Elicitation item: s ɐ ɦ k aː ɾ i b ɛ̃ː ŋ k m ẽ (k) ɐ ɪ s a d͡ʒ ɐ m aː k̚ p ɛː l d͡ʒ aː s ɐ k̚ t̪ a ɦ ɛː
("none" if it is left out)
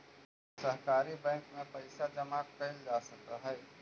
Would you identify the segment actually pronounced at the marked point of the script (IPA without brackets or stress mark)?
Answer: p